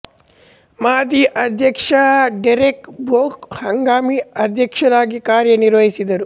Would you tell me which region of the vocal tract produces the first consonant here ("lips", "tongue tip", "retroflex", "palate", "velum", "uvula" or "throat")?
lips